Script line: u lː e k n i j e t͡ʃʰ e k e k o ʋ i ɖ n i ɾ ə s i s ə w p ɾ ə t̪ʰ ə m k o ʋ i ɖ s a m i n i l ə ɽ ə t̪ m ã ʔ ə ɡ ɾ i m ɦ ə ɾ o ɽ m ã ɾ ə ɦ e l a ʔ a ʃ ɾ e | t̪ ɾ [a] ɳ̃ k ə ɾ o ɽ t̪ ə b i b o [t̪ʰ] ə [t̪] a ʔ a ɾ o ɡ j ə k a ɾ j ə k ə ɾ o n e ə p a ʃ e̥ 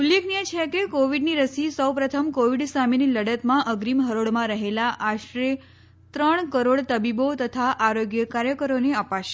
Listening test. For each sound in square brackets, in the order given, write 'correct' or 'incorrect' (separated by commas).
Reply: incorrect, incorrect, incorrect